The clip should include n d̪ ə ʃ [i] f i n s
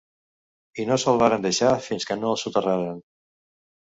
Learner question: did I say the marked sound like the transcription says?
no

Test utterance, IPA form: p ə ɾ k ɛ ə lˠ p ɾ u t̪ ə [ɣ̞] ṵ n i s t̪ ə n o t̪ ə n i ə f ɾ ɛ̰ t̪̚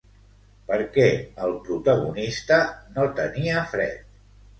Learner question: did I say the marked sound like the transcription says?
yes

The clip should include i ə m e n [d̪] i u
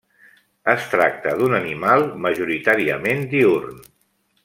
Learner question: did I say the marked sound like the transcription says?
yes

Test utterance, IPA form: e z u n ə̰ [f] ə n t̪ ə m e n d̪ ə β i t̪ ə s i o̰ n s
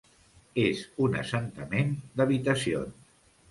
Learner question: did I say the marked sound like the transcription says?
no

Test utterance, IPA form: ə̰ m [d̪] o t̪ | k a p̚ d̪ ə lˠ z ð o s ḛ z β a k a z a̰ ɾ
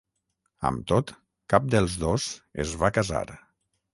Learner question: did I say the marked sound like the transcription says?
no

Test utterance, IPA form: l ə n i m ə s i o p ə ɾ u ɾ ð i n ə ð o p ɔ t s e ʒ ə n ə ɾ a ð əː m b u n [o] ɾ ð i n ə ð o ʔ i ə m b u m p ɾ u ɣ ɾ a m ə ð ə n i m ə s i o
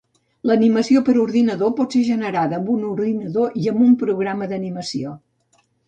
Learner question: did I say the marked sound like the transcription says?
no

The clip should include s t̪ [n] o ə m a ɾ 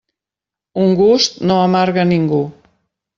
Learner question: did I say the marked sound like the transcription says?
yes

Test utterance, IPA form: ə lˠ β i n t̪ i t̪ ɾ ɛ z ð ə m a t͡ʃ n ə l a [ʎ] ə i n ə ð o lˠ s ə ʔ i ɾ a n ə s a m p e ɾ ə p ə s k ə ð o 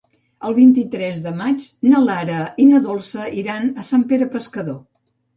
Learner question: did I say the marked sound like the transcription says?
no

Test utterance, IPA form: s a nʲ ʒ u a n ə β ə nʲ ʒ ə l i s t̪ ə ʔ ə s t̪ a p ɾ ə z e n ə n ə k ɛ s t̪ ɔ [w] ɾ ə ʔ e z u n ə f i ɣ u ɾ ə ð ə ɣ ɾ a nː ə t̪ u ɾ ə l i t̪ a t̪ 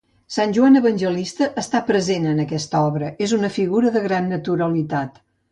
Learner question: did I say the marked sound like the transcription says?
no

